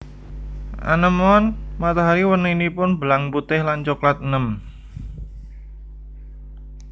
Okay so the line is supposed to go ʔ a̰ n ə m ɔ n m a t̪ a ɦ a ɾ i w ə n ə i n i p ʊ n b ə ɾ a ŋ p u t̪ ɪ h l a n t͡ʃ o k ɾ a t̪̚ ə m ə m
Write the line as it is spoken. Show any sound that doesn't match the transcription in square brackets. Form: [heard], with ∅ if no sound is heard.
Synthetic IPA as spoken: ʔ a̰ n ə m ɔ n m a t̪ a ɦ a ɾ i w ə n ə i n i p ʊ n b ə [l] a ŋ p u t̪ ɪ h l a n t͡ʃ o k [l] a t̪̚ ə [n] ə m